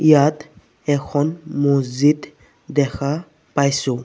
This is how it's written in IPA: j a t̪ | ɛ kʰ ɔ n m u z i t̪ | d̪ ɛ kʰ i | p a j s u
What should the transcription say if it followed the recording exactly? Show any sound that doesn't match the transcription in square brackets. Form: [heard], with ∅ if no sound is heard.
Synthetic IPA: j a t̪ | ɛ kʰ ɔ n m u z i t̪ | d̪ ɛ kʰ [a] | p a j s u